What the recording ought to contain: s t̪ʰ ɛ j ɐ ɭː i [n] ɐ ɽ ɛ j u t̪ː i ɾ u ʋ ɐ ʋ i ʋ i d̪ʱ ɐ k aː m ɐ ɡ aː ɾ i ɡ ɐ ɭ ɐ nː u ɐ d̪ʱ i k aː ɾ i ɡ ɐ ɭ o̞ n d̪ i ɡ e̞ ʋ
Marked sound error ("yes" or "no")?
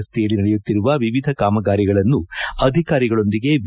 no